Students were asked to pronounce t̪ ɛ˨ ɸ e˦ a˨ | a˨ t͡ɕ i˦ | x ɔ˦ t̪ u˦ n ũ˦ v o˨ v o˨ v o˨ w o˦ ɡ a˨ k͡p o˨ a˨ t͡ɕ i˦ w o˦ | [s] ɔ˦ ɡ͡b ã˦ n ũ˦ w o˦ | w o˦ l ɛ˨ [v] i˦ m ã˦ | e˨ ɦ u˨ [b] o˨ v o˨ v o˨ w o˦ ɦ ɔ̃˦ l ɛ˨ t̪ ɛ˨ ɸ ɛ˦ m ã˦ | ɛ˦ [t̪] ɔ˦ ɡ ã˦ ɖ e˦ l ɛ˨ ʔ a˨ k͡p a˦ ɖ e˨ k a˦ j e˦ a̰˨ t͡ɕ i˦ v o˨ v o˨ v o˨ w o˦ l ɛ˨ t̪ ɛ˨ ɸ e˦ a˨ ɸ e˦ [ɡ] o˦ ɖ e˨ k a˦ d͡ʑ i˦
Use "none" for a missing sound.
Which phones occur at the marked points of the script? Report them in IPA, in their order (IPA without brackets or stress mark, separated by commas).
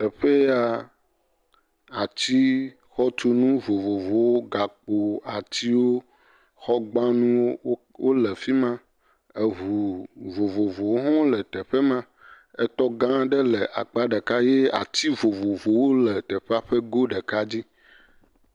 x, f, v, t̪, ɡ